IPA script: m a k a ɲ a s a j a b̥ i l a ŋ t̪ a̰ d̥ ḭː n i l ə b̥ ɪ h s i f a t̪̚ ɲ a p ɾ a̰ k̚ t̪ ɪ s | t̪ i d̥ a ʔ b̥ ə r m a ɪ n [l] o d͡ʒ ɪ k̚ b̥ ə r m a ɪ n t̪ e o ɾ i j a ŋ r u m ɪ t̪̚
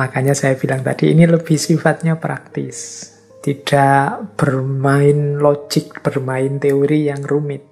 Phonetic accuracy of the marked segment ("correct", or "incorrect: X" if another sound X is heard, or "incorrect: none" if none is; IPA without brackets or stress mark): correct